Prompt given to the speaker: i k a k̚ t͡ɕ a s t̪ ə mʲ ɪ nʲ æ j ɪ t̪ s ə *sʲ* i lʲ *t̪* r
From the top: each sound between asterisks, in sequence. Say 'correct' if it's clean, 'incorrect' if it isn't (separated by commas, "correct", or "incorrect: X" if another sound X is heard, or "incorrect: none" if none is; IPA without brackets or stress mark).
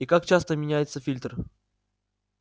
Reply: incorrect: fʲ, correct